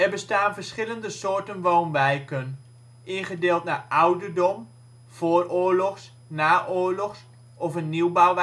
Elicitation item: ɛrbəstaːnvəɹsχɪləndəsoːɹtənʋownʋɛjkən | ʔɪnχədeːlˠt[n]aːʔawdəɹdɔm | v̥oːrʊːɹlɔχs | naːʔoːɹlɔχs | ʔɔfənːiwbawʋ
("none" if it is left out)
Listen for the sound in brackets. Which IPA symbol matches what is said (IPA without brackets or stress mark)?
n